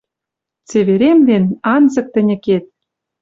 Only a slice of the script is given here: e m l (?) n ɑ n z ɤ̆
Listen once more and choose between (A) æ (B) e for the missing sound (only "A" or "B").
B